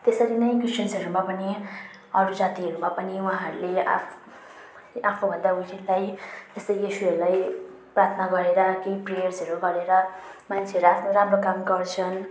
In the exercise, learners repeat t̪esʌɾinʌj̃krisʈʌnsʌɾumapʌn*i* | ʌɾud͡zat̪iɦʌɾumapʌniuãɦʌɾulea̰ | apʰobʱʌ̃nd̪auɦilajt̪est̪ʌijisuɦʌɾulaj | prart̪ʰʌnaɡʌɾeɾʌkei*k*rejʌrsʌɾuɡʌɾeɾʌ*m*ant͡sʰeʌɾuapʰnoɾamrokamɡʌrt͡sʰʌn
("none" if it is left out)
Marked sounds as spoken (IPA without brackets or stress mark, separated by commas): i, p, m